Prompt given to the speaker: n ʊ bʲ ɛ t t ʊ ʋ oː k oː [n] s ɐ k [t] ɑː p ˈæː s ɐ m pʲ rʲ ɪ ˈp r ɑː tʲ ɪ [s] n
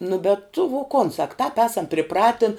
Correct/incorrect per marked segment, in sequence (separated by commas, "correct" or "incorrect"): correct, correct, incorrect